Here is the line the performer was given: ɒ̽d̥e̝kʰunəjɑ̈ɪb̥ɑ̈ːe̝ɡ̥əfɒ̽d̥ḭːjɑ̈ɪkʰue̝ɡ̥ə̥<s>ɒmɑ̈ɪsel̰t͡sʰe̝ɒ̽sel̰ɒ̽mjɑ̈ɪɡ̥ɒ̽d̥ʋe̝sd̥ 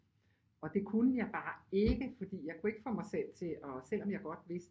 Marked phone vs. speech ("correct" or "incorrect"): incorrect